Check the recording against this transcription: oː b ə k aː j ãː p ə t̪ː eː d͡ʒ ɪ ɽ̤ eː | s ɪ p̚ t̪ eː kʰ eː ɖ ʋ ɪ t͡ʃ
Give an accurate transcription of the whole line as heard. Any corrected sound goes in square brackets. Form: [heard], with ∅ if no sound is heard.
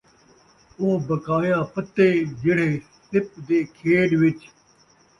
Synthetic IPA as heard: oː b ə k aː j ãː p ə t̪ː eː d͡ʒ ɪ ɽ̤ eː | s ɪ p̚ [d̪] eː kʰ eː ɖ ʋ ɪ t͡ʃ